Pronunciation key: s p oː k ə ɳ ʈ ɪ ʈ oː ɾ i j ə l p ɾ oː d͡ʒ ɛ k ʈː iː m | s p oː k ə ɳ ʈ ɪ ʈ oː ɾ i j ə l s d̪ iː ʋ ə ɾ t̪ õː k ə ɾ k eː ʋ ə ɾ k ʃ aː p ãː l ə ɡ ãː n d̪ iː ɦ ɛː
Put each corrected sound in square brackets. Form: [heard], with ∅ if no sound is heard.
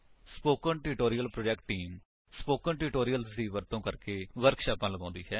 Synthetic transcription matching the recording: s p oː k ə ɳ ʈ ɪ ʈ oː ɾ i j ə l p ɾ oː d͡ʒ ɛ k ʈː iː m | s p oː k ə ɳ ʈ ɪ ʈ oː ɾ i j ə l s d̪ iː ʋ ə ɾ t̪ õː k ə ɾ k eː ʋ ə ɾ k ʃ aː p ãː l ə ɡ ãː n d̪ iː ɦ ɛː